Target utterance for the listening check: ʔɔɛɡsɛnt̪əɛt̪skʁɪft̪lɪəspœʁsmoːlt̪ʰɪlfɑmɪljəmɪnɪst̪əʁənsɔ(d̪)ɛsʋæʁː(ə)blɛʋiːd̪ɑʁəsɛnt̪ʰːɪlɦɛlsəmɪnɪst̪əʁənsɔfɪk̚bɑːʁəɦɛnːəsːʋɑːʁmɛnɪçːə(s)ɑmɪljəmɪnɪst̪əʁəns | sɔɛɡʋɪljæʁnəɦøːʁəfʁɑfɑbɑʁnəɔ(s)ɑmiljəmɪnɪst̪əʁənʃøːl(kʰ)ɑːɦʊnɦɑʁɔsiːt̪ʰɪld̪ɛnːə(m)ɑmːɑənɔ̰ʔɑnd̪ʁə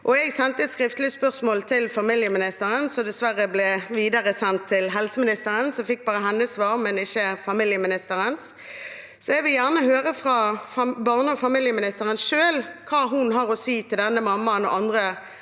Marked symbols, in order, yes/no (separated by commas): yes, yes, no, no, yes, yes